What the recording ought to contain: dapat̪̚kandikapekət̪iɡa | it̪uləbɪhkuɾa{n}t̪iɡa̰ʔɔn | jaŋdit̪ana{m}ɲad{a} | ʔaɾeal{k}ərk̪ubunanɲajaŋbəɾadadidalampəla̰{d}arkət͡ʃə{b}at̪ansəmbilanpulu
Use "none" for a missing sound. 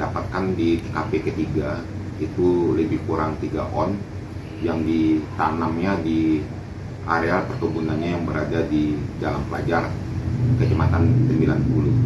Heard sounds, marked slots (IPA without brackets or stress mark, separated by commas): ŋ, m, i, p, d͡ʒ, m